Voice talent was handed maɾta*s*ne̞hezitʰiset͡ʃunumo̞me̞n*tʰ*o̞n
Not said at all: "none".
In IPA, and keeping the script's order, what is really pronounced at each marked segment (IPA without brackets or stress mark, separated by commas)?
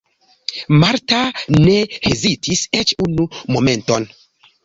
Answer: none, t